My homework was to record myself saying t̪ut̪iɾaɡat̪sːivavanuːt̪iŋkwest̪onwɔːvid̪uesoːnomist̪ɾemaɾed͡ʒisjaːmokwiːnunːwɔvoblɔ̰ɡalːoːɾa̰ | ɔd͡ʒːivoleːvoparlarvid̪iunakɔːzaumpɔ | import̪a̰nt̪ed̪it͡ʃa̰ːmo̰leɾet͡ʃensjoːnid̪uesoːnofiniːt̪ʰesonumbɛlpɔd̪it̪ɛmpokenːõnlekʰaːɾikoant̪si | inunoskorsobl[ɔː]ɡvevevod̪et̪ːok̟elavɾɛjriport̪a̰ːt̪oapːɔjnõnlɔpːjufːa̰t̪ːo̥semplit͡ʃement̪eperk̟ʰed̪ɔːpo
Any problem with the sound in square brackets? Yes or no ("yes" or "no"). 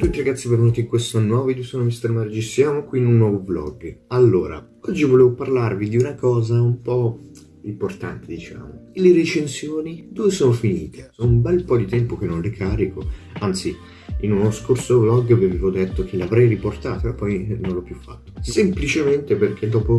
yes